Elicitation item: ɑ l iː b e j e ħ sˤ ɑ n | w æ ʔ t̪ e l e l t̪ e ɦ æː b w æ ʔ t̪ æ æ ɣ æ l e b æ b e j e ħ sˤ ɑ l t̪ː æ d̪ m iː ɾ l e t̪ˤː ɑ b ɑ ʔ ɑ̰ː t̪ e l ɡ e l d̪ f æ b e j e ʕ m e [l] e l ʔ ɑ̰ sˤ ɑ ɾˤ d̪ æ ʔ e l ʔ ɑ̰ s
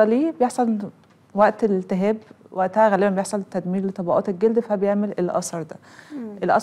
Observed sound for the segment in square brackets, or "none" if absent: l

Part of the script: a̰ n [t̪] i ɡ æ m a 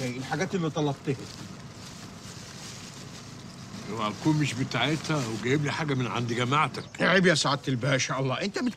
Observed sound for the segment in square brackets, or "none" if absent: d̪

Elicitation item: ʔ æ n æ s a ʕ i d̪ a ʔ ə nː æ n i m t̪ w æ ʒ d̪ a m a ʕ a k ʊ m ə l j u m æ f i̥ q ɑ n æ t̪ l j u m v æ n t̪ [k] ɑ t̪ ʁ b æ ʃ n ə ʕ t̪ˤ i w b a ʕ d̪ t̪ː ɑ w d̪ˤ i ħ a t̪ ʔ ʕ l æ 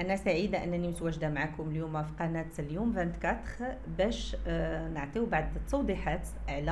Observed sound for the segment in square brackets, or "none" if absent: k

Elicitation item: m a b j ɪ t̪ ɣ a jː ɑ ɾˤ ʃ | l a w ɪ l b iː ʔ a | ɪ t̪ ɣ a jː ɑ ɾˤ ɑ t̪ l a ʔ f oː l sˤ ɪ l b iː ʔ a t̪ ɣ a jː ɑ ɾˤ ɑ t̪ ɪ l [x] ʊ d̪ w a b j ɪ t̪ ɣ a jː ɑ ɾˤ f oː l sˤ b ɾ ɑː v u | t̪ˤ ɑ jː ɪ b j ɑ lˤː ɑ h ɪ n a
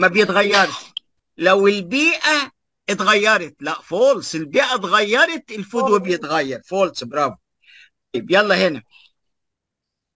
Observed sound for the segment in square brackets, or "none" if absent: f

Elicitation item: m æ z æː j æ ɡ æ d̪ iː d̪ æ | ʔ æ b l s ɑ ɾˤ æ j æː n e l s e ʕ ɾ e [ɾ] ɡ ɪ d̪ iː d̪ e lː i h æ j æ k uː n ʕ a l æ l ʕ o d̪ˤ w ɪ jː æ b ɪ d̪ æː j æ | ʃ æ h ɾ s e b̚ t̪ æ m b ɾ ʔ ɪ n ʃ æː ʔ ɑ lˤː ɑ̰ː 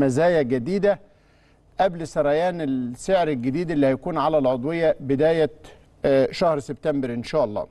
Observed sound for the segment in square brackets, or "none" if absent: l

